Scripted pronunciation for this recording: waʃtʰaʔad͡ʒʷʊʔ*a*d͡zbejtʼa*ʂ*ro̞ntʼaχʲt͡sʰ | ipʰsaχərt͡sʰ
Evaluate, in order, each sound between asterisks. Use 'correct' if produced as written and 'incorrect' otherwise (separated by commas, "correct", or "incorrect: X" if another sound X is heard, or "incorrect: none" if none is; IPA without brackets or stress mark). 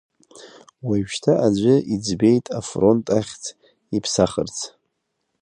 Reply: incorrect: i, incorrect: f